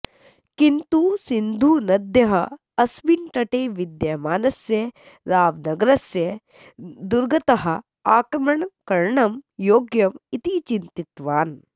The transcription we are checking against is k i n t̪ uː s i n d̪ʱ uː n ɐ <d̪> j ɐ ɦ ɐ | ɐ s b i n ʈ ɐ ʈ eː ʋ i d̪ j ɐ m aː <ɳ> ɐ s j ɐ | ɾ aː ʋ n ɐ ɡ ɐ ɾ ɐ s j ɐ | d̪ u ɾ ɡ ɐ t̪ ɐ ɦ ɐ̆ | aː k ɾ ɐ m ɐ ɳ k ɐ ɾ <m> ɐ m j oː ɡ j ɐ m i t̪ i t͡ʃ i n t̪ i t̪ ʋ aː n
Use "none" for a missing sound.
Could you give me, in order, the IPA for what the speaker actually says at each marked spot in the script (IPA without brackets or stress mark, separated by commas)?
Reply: d̪, n, ɳ